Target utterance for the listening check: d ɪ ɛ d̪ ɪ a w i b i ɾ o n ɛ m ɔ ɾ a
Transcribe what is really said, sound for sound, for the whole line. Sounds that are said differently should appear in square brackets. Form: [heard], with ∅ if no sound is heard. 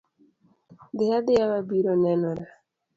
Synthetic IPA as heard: d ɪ [a] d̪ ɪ a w [a] b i ɾ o n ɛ [n] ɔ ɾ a